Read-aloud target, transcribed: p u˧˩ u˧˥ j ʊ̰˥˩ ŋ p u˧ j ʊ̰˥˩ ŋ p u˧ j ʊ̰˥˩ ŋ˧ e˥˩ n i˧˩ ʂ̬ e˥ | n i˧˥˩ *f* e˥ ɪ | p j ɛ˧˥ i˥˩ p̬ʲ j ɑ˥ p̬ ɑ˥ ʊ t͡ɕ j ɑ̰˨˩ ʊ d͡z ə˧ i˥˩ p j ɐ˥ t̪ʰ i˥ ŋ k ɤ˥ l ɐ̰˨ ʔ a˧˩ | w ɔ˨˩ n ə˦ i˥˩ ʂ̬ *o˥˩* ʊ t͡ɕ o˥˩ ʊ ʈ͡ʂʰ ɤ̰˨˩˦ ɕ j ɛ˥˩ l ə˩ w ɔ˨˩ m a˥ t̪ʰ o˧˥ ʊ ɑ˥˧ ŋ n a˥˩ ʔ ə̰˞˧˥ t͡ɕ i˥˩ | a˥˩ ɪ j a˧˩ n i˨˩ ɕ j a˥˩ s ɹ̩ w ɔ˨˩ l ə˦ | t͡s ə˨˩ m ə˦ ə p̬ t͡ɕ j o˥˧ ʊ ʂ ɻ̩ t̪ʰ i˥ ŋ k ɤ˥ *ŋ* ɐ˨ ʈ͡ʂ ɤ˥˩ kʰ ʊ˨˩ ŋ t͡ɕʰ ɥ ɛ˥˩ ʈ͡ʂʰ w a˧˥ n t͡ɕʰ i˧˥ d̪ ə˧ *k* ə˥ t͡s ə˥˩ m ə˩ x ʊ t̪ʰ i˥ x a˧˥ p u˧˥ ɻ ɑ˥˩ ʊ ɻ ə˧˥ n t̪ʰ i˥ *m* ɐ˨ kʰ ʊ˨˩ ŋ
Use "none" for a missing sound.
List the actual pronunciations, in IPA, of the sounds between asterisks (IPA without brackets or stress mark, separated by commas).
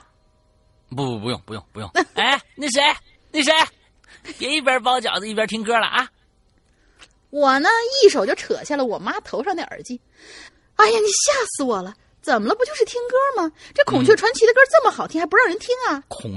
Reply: ʂ, o˨˩, m, k, ŋ